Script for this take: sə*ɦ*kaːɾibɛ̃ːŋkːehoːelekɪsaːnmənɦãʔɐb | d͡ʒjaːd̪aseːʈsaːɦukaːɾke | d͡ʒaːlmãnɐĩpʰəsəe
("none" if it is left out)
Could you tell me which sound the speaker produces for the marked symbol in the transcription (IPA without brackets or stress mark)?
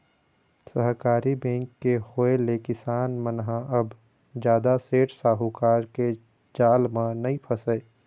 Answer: ɦ